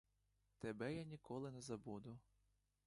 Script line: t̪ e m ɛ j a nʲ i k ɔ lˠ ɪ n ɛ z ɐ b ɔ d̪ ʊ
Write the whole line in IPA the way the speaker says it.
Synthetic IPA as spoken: t̪ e b ɛ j a nʲ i k ɔ lˠ ɪ n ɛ z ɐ b u d̪ ʊ